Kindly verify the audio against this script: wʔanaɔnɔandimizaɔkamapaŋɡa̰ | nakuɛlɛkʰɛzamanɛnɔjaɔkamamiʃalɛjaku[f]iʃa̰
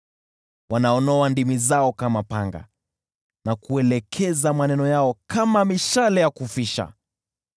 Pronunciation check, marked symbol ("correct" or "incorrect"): correct